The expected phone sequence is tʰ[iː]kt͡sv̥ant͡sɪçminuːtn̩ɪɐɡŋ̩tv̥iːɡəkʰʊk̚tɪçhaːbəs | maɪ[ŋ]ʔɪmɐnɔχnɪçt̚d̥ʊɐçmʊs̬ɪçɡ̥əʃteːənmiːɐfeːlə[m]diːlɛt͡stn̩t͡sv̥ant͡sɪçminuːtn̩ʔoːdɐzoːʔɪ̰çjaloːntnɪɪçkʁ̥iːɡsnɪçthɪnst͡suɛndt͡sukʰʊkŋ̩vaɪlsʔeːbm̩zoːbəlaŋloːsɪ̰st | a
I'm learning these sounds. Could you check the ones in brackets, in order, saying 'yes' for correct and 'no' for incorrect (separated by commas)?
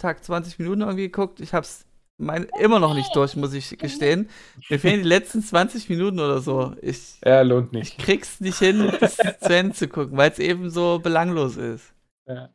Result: no, no, no